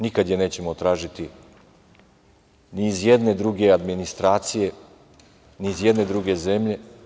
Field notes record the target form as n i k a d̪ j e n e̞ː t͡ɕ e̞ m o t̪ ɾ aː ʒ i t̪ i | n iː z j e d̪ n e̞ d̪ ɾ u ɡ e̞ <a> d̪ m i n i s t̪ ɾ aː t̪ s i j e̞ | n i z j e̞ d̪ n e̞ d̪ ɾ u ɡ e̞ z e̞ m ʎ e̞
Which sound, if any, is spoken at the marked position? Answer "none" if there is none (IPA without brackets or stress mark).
a